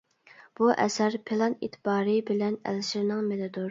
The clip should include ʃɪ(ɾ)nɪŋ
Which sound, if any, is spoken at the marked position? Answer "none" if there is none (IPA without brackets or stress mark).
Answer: ɾ